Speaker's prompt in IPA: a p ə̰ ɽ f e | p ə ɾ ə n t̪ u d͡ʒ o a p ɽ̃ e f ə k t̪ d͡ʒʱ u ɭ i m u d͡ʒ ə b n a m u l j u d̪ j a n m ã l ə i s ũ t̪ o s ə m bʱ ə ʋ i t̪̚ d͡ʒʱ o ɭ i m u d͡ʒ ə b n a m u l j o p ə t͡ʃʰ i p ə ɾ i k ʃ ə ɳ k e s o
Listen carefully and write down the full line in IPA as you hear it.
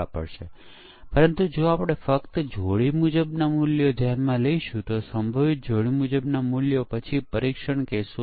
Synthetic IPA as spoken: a p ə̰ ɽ ʃ e | p ə ɾ ə n t̪ u d͡ʒ o a p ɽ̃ e f ə k t̪ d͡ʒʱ o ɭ i m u d͡ʒ ə b n a m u l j o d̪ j a n m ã l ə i ʃ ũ t̪ o s ə m bʱ ə ʋ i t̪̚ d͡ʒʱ o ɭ i m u d͡ʒ ə b n a m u l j o p ə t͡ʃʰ i p ə ɾ i k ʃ ə ɳ k e s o